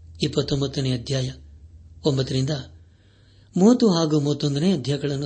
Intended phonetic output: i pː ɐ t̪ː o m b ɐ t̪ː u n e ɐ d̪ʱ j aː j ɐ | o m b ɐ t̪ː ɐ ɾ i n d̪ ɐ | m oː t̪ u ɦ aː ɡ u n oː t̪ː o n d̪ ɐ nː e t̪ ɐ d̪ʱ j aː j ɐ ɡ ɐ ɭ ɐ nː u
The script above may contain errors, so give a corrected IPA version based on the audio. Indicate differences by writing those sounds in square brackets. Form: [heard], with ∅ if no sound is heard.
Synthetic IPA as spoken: i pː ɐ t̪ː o m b ɐ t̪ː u n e ɐ d̪ʱ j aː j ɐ | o m b ɐ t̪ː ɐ ɾ i n d̪ ɐ | m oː t̪ u ɦ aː ɡ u [m] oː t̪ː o n d̪ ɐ [n] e [∅] ɐ d̪ʱ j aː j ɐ ɡ ɐ ɭ ɐ nː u